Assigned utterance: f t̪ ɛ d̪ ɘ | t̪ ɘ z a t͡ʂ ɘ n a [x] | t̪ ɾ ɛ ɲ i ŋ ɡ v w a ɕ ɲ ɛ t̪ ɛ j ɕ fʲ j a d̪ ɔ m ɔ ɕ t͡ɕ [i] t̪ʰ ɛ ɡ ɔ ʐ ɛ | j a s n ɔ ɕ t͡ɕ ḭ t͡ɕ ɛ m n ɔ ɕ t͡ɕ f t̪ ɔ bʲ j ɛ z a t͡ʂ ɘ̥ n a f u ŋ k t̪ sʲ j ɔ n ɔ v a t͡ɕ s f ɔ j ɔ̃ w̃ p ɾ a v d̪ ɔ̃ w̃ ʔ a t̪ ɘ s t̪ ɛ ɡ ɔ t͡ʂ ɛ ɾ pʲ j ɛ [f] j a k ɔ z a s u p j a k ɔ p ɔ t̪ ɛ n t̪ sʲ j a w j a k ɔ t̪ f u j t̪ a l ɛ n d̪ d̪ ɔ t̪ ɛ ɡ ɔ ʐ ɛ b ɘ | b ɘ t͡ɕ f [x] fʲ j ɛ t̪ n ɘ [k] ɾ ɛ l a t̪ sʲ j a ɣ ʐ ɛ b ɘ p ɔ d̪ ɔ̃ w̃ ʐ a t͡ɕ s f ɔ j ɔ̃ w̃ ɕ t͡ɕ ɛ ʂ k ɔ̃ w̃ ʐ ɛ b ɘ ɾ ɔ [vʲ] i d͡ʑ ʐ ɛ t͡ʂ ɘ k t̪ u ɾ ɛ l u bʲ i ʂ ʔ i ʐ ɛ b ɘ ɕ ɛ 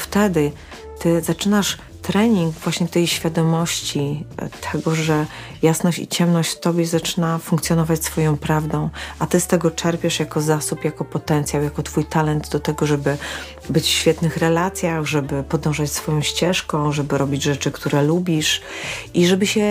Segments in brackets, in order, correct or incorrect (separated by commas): incorrect, correct, incorrect, incorrect, incorrect, incorrect